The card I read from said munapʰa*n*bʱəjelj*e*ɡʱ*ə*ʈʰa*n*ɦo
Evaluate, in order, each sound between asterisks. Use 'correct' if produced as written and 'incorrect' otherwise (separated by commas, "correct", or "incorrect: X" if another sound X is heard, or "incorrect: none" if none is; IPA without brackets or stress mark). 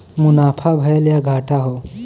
incorrect: none, incorrect: a, incorrect: a, incorrect: none